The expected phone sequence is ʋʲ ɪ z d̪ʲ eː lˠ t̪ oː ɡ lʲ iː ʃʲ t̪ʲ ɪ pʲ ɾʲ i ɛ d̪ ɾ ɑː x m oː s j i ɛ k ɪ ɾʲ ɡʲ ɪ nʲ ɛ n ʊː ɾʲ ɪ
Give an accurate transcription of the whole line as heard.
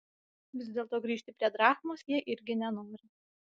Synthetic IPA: ʋʲ ɪ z d̪ʲ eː lˠ t̪ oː ɡ ɾʲ iː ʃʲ t̪ʲ ɪ pʲ ɾʲ i ɛ d̪ ɾ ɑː x m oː s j i ɛ ʔ ɪ ɾʲ ɡʲ ɪ nʲ ɛ n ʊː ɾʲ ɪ